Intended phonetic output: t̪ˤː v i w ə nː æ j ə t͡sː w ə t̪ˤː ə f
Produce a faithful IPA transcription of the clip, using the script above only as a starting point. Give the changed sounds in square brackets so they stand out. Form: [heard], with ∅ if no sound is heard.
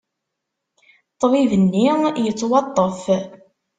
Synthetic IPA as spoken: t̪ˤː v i [v] ə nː [i] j ə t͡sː w [ɑ] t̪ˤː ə f